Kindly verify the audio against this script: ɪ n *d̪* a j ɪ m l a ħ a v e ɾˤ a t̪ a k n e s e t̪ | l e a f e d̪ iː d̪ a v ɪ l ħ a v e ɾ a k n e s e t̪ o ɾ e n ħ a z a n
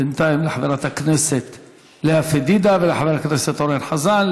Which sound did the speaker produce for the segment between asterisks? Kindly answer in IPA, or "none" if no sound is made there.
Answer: t̪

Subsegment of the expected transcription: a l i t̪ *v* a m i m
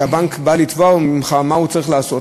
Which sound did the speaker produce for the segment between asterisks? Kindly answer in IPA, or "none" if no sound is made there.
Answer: v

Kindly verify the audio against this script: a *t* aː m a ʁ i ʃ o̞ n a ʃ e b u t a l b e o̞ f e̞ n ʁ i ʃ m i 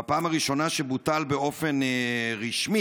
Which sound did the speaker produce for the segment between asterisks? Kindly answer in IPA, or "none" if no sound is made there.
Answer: p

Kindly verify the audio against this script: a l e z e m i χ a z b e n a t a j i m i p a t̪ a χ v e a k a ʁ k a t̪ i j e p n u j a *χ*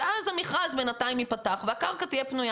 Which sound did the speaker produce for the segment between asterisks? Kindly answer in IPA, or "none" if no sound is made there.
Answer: none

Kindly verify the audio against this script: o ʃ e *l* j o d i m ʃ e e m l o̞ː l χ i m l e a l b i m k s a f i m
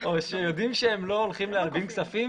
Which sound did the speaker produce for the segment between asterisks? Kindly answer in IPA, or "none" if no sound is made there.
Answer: none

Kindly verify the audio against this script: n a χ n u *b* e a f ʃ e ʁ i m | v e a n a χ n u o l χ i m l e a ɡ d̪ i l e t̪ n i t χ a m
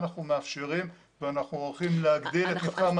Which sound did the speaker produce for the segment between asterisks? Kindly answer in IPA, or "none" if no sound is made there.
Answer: m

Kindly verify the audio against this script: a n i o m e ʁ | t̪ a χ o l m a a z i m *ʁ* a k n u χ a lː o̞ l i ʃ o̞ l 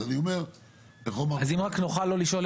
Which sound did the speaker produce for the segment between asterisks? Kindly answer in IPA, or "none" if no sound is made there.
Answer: ʁ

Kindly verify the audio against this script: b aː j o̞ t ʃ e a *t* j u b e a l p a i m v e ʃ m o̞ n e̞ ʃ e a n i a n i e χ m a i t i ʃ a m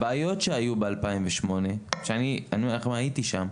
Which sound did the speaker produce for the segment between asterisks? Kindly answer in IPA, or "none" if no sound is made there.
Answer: none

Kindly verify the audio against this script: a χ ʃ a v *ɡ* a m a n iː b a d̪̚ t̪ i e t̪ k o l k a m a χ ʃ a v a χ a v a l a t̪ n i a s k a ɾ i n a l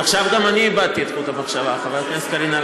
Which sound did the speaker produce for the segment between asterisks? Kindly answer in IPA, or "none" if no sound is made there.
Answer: ɡ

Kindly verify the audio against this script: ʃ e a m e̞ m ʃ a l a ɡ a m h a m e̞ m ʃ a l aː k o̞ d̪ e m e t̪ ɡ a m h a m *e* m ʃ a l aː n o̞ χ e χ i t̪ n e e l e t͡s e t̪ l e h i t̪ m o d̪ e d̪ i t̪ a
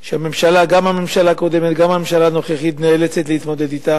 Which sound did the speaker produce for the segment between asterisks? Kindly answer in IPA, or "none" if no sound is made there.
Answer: e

